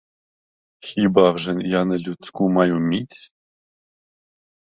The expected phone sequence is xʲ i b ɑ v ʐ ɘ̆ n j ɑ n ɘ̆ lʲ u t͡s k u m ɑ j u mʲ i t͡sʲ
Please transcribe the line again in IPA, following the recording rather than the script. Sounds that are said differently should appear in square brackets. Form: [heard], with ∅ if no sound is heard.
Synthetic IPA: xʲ i b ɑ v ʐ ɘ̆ n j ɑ n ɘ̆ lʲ u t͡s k u m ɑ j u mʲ i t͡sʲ